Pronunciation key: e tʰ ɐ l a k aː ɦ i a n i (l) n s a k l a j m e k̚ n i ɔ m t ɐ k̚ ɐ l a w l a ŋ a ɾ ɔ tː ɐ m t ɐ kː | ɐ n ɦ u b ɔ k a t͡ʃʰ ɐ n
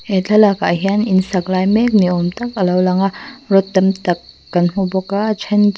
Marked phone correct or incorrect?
incorrect